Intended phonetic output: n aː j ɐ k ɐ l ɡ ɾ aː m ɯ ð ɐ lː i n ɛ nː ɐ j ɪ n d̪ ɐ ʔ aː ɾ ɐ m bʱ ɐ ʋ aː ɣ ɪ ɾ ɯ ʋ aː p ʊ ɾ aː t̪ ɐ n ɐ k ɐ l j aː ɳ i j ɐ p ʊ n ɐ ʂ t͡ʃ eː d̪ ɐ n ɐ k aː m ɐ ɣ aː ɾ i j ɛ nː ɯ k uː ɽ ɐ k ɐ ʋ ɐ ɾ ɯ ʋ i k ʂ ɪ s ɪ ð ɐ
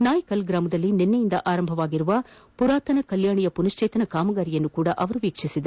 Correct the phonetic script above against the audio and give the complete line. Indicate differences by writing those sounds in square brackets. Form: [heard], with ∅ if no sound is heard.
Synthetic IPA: n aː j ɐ k ɐ l ɡ ɾ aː m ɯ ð ɐ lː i n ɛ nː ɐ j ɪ n d̪ ɐ ʔ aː ɾ ɐ m bʱ ɐ ʋ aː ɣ ɪ ɾ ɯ ʋ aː p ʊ ɾ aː t̪ ɐ n ɐ k ɐ l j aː ɳ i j ɐ p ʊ n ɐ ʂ t͡ʃ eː [t̪] ɐ n ɐ k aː m ɐ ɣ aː ɾ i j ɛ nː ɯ k uː ɽ ɐ [ʔ] ɐ ʋ ɐ ɾ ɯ ʋ [iː] k ʂ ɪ s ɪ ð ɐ